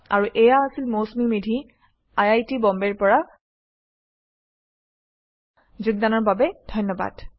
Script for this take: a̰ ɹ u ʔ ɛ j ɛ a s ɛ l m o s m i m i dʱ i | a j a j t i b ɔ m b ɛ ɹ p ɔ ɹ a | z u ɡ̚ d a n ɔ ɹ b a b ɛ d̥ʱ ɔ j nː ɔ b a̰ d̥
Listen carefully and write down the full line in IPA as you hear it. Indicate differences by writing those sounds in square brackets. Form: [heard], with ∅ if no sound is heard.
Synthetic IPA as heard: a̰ ɹ u ʔ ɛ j [a] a s [i] l m o s m i m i dʱ i | a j a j t i b ɔ m b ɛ ɹ p ɔ ɹ a | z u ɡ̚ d a n ɔ ɹ b a b ɛ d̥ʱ ɔ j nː ɔ b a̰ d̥